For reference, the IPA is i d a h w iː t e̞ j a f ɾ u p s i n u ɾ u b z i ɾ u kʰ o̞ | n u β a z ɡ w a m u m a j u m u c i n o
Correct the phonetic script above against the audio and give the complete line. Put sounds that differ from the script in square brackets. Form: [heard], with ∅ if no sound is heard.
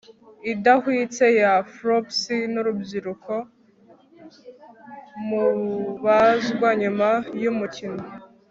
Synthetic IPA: i d a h w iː [t͡s] e̞ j a f ɾ [o] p s i n u ɾ u b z i ɾ u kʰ o̞ | [m] u β a z ɡ w a [ɲ] u m a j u m u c i n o